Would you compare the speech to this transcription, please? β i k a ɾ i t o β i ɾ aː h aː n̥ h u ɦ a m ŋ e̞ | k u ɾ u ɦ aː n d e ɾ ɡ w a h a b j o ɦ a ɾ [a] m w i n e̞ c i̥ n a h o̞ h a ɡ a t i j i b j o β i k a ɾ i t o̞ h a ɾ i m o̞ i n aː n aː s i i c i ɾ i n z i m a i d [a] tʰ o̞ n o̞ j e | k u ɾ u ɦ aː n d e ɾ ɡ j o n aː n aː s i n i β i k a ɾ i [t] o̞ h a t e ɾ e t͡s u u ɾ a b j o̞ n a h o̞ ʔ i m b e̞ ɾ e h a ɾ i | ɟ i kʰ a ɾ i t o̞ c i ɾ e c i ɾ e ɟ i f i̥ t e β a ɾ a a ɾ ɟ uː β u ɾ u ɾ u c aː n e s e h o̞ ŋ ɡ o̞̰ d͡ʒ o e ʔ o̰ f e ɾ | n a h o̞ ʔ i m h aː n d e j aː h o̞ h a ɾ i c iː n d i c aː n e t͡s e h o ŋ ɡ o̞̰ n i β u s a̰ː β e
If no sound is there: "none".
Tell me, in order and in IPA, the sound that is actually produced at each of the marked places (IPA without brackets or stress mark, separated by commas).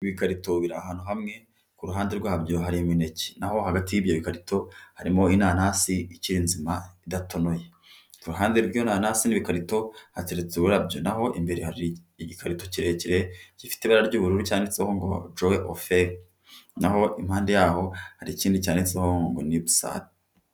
i, a, t